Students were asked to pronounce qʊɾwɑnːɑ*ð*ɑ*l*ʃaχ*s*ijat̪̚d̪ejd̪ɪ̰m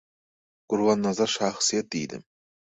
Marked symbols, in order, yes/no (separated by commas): no, no, yes